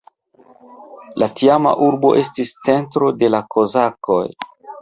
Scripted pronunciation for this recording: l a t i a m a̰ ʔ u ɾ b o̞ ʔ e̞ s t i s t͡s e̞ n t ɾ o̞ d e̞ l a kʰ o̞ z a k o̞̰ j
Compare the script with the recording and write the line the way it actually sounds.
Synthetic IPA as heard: l a t i a m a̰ ʔ u ɾ b o̞ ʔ e̞ s t i s t͡s e̞ n t ɾ o̞ d e̞ l a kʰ o̞ z a k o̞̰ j